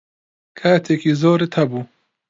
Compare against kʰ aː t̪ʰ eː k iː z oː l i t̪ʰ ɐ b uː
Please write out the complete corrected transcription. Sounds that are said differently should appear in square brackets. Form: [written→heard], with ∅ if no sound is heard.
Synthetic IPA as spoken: kʰ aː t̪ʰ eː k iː z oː [l→ɾ] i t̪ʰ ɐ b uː